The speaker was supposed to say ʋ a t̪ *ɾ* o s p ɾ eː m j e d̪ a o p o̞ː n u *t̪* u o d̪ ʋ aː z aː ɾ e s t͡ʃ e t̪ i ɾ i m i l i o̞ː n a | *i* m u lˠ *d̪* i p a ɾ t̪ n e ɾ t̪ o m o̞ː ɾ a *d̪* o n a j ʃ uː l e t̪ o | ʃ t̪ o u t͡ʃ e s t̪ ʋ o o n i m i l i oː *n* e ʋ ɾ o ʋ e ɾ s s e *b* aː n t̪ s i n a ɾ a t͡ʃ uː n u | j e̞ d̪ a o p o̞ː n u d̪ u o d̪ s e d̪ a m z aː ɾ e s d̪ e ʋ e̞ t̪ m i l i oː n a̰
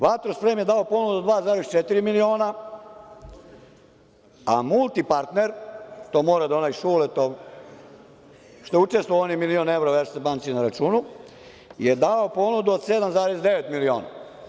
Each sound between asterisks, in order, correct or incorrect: correct, incorrect, incorrect, incorrect, correct, correct, correct

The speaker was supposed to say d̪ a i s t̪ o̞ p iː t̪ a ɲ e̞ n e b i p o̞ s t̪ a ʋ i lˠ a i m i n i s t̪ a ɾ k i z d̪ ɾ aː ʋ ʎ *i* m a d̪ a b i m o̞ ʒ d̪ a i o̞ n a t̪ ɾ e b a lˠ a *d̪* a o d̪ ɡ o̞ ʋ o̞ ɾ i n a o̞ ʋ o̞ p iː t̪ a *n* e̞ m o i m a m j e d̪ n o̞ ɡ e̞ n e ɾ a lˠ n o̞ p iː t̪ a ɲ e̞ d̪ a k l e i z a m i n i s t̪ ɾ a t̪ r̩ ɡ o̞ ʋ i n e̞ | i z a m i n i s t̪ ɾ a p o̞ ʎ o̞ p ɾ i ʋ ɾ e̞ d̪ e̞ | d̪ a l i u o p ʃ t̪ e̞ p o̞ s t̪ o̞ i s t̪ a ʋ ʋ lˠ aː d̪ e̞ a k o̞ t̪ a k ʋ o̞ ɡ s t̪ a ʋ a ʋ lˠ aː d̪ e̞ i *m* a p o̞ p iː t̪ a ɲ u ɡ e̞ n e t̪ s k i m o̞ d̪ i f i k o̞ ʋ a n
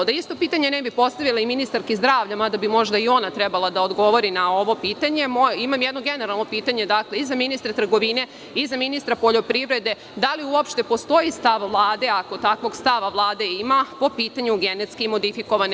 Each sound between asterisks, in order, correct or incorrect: incorrect, correct, incorrect, correct

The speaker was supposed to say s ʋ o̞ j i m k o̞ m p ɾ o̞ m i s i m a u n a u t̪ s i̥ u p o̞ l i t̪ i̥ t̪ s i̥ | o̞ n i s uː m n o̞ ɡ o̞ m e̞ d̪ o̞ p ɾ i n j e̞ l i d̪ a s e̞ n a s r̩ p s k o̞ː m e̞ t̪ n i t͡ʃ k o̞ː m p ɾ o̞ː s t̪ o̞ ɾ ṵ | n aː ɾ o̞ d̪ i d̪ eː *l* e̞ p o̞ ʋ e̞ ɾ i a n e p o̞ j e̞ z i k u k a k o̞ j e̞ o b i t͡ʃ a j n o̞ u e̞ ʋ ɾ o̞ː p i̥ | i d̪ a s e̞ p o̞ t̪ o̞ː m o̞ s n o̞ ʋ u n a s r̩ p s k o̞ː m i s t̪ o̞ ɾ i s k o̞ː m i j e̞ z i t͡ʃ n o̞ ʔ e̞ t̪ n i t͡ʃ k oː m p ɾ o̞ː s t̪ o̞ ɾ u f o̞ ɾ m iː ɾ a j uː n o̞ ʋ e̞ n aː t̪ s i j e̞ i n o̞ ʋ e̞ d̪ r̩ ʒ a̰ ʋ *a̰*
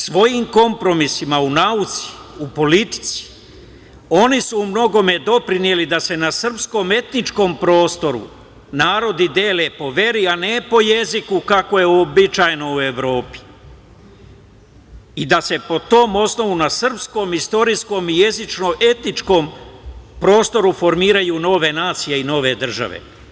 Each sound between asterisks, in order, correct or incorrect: correct, incorrect

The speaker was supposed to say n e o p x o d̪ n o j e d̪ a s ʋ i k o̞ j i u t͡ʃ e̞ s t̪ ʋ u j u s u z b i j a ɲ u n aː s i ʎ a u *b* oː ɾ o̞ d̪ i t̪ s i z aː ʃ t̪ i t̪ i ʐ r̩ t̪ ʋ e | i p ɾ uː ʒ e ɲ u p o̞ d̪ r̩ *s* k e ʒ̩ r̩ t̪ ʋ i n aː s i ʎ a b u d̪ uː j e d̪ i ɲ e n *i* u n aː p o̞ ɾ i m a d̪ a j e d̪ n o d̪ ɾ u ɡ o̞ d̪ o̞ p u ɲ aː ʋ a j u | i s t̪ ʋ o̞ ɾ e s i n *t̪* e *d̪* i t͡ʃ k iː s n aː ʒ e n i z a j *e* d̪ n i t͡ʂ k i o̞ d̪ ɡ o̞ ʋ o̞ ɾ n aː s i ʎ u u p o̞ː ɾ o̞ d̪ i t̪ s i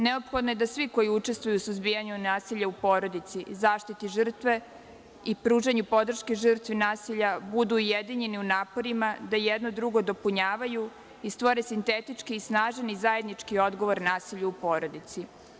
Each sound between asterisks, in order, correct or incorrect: incorrect, incorrect, correct, correct, incorrect, correct

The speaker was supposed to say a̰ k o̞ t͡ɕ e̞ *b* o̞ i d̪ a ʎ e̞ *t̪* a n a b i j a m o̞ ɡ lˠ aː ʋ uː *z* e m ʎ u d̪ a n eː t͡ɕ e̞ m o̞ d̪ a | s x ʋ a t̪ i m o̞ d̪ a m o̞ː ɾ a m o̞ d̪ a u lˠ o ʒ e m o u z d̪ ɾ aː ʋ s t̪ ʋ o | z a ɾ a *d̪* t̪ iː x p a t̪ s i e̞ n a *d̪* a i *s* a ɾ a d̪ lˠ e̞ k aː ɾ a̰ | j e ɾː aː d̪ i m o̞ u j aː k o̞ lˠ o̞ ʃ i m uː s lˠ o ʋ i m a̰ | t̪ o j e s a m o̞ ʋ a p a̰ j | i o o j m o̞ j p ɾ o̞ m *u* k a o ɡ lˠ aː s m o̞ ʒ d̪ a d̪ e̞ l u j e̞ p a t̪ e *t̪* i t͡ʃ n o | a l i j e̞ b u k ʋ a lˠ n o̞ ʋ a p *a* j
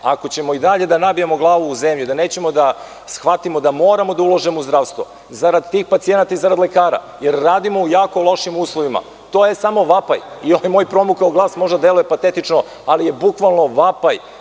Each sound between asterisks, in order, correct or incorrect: incorrect, incorrect, correct, correct, incorrect, incorrect, correct, correct, correct

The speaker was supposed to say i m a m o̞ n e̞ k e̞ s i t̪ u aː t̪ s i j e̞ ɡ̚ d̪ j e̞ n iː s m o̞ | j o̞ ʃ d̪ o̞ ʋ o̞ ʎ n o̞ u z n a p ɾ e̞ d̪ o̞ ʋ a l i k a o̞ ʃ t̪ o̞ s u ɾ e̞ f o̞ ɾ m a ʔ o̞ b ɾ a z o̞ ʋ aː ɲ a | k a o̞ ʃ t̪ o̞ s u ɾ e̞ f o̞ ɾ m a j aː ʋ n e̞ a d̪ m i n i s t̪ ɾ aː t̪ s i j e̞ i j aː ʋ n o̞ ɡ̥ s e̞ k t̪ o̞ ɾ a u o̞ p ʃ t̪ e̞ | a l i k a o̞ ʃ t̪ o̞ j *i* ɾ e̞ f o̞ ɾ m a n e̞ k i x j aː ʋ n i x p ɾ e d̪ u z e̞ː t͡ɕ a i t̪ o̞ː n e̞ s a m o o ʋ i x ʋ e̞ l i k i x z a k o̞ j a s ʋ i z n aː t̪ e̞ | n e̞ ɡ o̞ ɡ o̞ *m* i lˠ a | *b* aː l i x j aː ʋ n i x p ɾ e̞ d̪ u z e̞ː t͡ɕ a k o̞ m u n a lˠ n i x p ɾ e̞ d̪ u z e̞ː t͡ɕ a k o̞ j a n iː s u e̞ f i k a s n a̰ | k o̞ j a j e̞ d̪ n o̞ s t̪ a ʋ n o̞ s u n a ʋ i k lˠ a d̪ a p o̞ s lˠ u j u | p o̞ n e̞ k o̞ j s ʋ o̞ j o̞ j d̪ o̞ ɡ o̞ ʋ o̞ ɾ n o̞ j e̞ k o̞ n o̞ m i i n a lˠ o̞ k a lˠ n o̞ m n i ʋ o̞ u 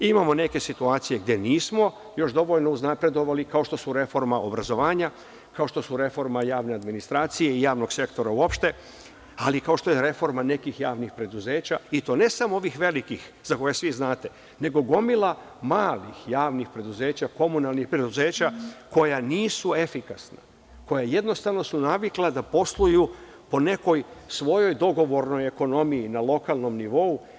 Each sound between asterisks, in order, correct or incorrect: incorrect, correct, incorrect

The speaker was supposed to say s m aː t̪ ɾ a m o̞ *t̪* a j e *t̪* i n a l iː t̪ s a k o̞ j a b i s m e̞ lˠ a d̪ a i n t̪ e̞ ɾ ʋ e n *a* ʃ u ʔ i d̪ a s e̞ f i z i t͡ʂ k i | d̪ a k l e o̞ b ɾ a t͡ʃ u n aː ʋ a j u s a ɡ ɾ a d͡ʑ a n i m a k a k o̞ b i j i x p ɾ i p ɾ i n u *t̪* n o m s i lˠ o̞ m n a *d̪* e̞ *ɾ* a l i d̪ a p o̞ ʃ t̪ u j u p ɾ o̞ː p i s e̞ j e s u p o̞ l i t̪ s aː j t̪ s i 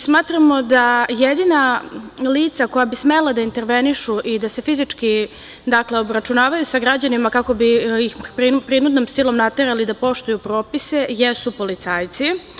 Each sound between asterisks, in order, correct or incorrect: incorrect, incorrect, incorrect, incorrect, incorrect, correct

